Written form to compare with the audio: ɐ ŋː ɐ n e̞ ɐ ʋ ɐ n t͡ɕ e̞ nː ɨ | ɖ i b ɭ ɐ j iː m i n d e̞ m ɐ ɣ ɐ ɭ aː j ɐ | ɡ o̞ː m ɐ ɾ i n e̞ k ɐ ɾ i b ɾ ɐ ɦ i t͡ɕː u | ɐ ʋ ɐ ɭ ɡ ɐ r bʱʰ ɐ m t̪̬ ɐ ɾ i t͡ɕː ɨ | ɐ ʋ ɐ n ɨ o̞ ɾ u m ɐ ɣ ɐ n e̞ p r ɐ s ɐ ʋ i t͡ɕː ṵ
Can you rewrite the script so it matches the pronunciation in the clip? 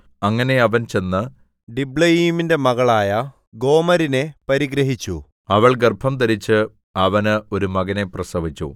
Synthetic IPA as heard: ɐ ŋː ɐ n e̞ ɐ ʋ ɐ n t͡ɕ e̞ nː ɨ | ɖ i b ɭ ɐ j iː m i n d e̞ m ɐ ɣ ɐ ɭ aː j ɐ | ɡ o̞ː m ɐ ɾ i n e̞ p ɐ ɾ i ɡ ɾ ɐ ɦ i t͡ɕː u | ɐ ʋ ɐ ɭ ɡ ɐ r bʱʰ ɐ m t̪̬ ɐ ɾ i t͡ɕː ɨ | ɐ ʋ ɐ n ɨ o̞ ɾ u m ɐ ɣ ɐ n e̞ p r ɐ s ɐ ʋ i t͡ɕː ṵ